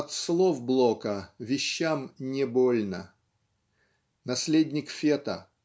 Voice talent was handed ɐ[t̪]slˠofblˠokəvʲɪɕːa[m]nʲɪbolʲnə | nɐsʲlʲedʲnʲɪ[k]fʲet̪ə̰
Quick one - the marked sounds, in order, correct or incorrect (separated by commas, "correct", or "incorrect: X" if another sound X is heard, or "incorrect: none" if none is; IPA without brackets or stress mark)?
correct, correct, correct